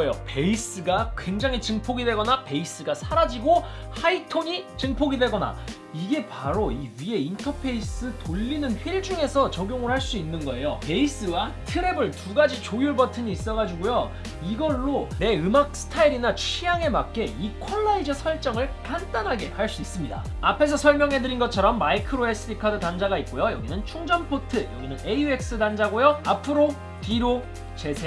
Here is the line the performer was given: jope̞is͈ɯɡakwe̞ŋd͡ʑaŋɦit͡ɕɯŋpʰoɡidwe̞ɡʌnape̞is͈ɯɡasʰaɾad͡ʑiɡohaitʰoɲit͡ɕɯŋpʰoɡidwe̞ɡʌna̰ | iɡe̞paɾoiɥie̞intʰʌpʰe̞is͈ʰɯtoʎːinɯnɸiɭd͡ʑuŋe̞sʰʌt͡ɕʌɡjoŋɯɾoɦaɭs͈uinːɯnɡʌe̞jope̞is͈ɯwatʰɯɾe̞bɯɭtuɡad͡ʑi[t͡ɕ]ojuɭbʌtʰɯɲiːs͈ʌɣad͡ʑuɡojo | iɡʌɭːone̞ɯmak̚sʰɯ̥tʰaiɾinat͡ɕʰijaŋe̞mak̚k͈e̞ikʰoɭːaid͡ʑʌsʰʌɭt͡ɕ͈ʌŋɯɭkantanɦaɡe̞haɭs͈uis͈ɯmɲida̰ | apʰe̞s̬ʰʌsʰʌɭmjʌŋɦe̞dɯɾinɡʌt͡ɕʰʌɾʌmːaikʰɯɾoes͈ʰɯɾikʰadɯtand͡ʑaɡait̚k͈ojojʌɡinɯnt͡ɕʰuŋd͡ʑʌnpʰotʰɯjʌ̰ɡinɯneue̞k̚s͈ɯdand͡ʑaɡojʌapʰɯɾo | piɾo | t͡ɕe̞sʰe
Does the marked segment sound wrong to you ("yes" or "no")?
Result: no